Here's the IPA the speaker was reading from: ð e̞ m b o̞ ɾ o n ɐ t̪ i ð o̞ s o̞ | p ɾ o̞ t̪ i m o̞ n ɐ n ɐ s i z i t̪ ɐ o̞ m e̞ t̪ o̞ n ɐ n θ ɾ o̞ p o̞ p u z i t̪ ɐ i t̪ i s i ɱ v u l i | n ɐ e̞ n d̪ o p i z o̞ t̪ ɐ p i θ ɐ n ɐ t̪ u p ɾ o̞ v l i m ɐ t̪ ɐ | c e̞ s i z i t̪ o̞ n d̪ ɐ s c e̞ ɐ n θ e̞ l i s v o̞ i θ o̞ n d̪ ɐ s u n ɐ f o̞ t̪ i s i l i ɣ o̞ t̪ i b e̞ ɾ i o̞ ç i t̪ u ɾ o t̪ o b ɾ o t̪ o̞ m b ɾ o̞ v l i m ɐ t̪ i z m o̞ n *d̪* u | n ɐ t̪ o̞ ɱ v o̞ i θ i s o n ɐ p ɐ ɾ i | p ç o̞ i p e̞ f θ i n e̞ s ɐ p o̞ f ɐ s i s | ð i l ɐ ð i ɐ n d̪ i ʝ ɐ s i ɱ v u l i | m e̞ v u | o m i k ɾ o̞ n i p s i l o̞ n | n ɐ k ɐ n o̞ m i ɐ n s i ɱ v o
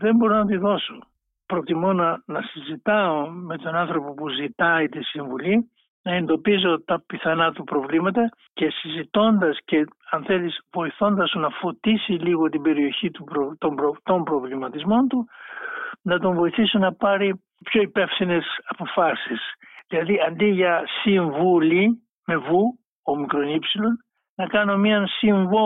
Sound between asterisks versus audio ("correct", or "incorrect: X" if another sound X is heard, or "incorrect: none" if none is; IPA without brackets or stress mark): incorrect: t̪